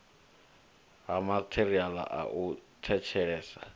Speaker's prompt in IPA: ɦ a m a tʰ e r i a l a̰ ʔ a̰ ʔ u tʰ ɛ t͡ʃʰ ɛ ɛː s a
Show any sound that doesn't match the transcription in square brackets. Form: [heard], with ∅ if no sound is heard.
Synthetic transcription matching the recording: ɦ a m a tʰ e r i a l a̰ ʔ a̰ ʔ u tʰ ɛ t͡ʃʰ ɛ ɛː s a